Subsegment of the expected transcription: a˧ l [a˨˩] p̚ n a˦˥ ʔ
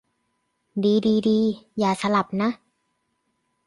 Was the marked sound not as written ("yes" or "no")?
no